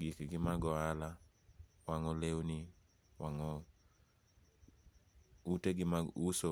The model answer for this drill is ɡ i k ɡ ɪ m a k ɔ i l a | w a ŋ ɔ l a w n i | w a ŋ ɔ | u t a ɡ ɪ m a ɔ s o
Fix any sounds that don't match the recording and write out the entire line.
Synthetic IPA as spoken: ɡ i k ɡ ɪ m a ɡ ɔ a l a | w a ŋ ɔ l e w n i | w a ŋ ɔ | u t e ɡ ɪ m a u s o